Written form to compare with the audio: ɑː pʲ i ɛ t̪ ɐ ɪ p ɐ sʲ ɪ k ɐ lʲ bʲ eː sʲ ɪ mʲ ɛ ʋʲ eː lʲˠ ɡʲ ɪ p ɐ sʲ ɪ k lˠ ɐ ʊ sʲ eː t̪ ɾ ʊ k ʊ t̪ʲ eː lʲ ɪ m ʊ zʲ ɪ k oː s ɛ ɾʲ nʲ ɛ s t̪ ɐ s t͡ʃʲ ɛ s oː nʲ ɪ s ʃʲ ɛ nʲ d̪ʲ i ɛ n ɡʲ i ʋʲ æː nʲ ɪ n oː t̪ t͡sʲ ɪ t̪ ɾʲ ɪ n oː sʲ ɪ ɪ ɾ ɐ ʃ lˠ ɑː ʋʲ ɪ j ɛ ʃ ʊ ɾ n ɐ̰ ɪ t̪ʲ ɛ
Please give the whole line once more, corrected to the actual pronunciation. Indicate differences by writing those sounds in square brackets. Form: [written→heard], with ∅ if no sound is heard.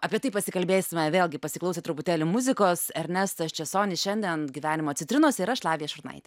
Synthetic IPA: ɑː pʲ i ɛ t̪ ɐ ɪ p ɐ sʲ ɪ k ɐ lʲ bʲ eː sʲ ɪ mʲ ɛ ʋʲ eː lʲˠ ɡʲ ɪ p ɐ sʲ ɪ k lˠ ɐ ʊ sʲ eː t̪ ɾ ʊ [k→p] ʊ t̪ʲ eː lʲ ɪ m ʊ zʲ ɪ k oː s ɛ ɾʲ nʲ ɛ s t̪ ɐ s t͡ʃʲ ɛ s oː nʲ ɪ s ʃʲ ɛ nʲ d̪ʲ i ɛ n ɡʲ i ʋʲ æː nʲ ɪ [n→m] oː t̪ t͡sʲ ɪ t̪ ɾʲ ɪ n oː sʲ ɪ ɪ ɾ ɐ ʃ lˠ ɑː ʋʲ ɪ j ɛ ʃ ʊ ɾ n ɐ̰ ɪ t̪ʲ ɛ